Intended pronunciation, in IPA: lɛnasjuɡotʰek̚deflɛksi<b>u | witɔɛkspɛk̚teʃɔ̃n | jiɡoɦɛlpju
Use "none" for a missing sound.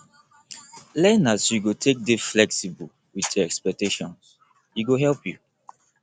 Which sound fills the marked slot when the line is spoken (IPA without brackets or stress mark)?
b